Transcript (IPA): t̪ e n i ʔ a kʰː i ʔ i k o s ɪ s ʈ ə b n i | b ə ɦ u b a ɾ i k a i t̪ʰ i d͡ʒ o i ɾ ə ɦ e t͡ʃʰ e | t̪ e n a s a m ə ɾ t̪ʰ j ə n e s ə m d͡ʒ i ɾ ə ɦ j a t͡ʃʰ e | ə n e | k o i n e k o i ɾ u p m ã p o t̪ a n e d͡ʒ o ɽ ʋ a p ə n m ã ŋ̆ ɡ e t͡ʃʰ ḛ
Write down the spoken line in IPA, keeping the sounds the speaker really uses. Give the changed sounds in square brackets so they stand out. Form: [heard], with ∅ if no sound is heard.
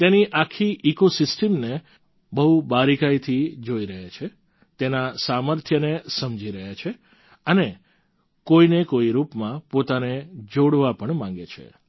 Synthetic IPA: t̪ e n i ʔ a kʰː i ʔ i k o s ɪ s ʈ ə [m] n [e] | b ə ɦ u b a ɾ i k a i t̪ʰ i d͡ʒ o i ɾ ə ɦ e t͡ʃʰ e | t̪ e n a s a m ə ɾ t̪ʰ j ə n e s ə m d͡ʒ i ɾ ə ɦ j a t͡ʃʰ e | ə n e | k o i n e k o i ɾ u p m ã p o t̪ a n e d͡ʒ o ɽ ʋ a p ə [ɳ] m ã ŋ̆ ɡ e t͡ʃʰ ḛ

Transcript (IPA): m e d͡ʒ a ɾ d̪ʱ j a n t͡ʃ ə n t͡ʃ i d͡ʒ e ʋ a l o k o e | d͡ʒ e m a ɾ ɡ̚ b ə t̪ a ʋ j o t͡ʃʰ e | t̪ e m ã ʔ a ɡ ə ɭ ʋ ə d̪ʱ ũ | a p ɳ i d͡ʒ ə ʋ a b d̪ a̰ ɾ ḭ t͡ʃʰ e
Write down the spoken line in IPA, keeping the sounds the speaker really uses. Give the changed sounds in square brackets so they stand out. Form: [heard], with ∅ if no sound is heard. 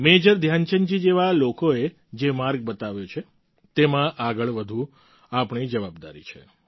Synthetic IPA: m e d͡ʒ [ə] ɾ d̪ʱ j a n t͡ʃ ə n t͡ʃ i d͡ʒ e ʋ a l o k o e | d͡ʒ e m a ɾ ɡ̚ b ə t̪ a ʋ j o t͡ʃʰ e | t̪ e m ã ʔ a ɡ ə ɭ ʋ ə d̪ʱ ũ | a p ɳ i d͡ʒ ə ʋ a b d̪ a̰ ɾ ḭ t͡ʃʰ e

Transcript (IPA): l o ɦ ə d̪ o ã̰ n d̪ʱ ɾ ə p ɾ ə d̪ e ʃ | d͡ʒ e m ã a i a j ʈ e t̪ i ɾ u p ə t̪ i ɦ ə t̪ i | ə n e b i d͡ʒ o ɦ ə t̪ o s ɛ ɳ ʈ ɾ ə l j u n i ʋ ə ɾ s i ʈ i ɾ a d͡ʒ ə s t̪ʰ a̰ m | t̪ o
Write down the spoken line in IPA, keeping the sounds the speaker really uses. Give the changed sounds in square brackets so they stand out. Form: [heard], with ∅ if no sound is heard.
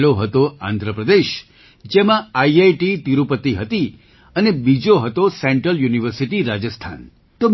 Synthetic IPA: l o ɦ ə [t̪] o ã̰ n d̪ʱ ɾ ə p ɾ ə d̪ e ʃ | d͡ʒ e m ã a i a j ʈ [i] t̪ i ɾ u p ə t̪ i ɦ ə t̪ i | ə n e b i d͡ʒ o ɦ ə t̪ o s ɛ ɳ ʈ ɾ ə l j u n i ʋ ə ɾ s i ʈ i ɾ a d͡ʒ ə s t̪ʰ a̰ [n] | t̪ o

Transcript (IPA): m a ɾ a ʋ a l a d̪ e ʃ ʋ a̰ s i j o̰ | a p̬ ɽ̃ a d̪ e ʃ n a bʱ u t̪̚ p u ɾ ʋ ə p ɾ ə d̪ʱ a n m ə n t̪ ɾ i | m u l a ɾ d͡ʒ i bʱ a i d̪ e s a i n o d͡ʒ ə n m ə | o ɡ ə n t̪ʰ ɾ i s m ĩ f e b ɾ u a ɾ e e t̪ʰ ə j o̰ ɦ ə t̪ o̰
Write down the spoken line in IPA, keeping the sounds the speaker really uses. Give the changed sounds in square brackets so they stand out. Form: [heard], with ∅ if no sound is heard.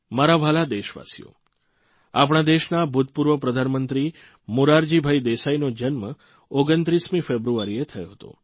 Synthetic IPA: m a ɾ a ʋ a l a d̪ e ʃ ʋ a̰ s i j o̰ | a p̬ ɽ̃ a d̪ e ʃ n a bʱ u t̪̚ p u ɾ ʋ ə p ɾ ə d̪ʱ a n m ə n t̪ ɾ i | m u [ɾ] a ɾ d͡ʒ i bʱ a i d̪ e s a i n o d͡ʒ ə n m ə | o ɡ ə n [t̪] ɾ i s m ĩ f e b ɾ u a ɾ [i] e t̪ʰ ə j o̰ ɦ ə t̪ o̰

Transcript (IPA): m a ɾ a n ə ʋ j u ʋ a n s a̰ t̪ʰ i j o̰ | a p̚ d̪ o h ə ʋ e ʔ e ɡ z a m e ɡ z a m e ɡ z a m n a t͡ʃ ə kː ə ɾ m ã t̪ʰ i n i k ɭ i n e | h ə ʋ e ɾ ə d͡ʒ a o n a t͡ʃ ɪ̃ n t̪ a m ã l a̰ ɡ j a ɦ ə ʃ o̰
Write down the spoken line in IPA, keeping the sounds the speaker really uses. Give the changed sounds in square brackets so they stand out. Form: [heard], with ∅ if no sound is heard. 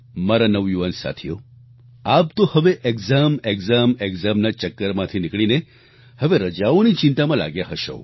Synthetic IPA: m a ɾ a n ə ʋ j u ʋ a n s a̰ t̪ʰ i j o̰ | a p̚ [t̪] o h ə ʋ e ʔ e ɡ z a m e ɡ z a m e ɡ z a m n a t͡ʃ ə kː ə ɾ m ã t̪ʰ i n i k ɭ i n e | h ə ʋ e ɾ ə d͡ʒ a o n [i] t͡ʃ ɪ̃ n t̪ a m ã l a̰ ɡ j a ɦ ə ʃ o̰

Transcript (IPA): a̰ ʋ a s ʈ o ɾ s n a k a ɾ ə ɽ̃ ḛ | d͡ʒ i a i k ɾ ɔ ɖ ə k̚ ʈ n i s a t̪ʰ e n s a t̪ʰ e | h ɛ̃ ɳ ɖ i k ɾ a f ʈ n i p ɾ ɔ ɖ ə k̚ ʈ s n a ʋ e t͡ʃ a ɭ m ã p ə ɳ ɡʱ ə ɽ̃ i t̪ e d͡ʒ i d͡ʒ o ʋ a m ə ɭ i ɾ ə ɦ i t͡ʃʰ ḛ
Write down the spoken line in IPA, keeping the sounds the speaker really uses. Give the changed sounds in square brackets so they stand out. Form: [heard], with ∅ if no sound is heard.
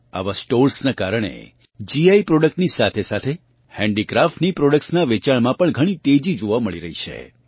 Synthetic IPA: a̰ ʋ a s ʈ o ɾ s n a k a ɾ ə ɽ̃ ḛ | d͡ʒ i a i [p] ɾ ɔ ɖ ə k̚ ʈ n i s a t̪ʰ e [∅] s a t̪ʰ e | h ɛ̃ ɳ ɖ i k ɾ a f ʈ n i p ɾ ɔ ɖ ə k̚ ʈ s n a ʋ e t͡ʃ a ɭ m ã p ə ɳ ɡʱ ə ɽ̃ i t̪ e d͡ʒ i d͡ʒ o ʋ a m ə ɭ i ɾ ə ɦ i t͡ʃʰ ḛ

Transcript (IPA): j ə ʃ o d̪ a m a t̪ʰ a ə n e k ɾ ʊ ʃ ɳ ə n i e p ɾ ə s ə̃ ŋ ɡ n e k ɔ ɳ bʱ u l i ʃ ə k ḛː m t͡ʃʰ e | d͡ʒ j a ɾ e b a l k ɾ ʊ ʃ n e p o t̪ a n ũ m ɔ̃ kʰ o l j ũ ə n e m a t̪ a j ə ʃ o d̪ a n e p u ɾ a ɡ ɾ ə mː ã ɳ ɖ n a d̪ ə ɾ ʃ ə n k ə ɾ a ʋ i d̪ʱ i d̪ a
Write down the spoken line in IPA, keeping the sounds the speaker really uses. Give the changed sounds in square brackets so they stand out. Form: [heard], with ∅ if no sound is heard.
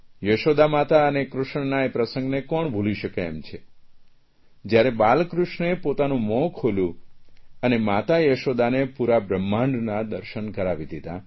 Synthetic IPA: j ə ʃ o d̪ a m a [t̪] a ə n e k ɾ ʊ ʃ ɳ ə n [a] e p ɾ ə s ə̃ ŋ ɡ n e k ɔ ɳ bʱ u l i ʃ ə k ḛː m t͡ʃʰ e | d͡ʒ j a ɾ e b a l k ɾ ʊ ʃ n e p o t̪ a n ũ m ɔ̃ kʰ o l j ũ ə n e m a t̪ a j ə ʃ o d̪ a n e p u ɾ a [b] ɾ ə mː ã ɳ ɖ n a d̪ ə ɾ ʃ ə n k ə ɾ a ʋ i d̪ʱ i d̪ a

